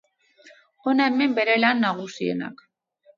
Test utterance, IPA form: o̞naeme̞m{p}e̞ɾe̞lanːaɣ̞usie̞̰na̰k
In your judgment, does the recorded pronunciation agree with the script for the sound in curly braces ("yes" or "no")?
no